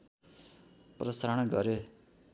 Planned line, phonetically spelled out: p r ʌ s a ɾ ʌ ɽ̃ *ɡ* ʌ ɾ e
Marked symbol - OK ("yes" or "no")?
yes